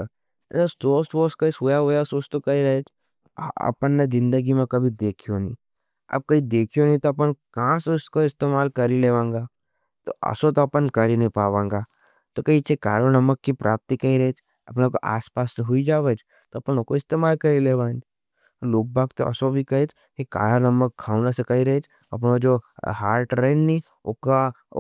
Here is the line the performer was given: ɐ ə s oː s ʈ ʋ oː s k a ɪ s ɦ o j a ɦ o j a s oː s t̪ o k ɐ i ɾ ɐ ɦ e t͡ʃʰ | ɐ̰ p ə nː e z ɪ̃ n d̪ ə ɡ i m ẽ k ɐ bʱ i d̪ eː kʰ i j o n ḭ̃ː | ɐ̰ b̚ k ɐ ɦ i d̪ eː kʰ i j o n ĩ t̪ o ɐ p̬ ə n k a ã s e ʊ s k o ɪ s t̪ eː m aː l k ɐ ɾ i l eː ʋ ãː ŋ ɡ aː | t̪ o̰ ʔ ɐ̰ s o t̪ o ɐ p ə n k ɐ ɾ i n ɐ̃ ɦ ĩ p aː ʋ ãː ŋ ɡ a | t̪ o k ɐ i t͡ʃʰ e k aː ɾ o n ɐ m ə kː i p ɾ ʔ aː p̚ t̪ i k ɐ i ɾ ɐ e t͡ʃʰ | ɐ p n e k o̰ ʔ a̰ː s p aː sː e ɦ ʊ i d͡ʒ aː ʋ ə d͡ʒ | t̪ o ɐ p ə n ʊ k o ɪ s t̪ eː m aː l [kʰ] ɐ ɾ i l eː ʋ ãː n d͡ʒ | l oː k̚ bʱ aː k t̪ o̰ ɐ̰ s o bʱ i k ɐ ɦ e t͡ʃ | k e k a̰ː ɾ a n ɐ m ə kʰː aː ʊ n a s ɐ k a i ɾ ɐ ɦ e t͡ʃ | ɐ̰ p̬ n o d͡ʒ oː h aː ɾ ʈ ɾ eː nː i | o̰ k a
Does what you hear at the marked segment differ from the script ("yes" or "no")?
yes